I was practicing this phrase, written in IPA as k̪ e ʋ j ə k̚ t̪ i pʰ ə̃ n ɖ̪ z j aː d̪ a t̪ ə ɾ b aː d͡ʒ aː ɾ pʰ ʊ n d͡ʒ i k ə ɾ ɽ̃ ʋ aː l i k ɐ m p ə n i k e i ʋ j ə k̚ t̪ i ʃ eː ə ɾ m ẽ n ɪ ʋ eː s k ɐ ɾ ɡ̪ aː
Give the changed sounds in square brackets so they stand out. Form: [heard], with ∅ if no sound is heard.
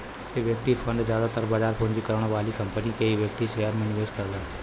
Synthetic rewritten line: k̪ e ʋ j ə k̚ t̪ i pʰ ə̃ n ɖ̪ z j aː d̪ a t̪ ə ɾ b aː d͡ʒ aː ɾ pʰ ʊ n d͡ʒ i k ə ɾ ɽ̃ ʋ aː l i k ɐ m p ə n i k e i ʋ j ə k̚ t̪ i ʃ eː ə ɾ m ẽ n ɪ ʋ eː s k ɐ ɾ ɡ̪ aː